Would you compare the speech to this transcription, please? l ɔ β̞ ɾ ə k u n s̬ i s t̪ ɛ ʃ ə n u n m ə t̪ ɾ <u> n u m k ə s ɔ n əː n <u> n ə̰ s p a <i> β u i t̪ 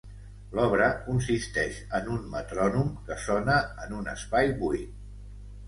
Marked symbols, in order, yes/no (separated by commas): no, yes, no